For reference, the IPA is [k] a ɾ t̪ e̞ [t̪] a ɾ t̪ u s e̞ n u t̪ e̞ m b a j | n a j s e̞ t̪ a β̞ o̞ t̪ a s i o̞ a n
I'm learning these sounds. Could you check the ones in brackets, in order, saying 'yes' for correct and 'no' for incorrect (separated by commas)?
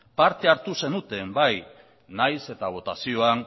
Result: no, no